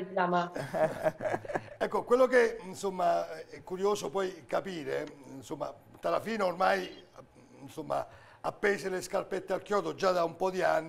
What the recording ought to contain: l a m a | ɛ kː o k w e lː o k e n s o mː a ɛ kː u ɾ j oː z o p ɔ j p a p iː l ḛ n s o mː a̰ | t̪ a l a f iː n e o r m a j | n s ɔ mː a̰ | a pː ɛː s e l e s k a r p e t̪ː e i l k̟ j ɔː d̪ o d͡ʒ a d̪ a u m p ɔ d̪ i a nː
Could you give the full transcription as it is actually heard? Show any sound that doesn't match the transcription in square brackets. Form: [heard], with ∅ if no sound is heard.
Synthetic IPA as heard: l a m a | ɛ kː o k w e lː o k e n s o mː a ɛ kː u ɾ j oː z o p ɔ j [k] a p iː [ɾ] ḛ n s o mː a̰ | t̪ a l a f iː n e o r m a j | n s [o] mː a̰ | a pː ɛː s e l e s k a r p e t̪ː e [a] l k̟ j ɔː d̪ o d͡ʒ a d̪ a u m p ɔ d̪ i a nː